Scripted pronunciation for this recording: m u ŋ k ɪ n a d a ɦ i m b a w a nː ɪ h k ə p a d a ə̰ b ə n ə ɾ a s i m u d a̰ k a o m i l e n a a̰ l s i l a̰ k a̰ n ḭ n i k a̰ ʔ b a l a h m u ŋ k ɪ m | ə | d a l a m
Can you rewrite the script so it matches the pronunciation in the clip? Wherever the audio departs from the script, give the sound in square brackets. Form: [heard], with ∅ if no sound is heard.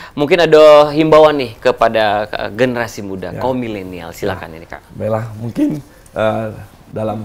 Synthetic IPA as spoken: m u ŋ k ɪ n a d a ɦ i m b a w a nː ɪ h k ə p a d a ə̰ [ɡ] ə n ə ɾ a s i m u d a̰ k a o m i l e n [i] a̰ l s i l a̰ k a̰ n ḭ n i k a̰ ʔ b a l a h m u ŋ k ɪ [n] | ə | d a l a m

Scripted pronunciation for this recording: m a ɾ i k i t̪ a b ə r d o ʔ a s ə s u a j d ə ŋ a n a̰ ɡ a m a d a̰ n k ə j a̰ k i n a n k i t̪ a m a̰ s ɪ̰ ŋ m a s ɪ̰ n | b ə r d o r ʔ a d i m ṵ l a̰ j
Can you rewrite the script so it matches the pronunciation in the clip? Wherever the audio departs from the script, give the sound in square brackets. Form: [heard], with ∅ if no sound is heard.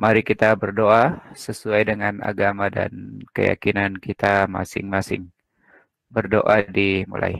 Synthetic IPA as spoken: m a ɾ i k i t̪ a b ə r d o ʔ a s ə s u a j d ə ŋ a n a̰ ɡ a m a d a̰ n k ə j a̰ k i n a n k i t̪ a m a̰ s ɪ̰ ŋ m a s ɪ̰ [ŋ] | b ə r d o [∅] ʔ a d i m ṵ l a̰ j

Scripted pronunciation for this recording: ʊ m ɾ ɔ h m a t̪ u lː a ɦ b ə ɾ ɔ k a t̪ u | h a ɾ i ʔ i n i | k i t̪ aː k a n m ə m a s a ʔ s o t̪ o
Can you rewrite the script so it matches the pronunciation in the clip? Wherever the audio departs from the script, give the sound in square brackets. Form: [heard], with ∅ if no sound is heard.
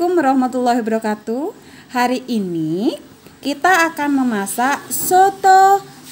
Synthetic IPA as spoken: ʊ m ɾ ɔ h m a t̪ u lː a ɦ b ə ɾ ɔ k a t̪ u | h a ɾ i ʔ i n i | k i t̪ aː k a n m ə m a s a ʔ s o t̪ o

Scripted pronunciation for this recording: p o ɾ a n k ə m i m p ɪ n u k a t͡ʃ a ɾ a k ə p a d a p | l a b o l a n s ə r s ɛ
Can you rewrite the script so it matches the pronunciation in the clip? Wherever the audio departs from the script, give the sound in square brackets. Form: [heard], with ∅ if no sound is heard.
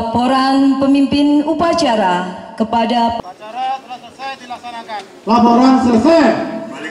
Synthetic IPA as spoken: p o ɾ a n [p] ə m i m p ɪ n u [p] a t͡ʃ a ɾ a k ə p a d a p | l a [p] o [ɾ] a n s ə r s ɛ

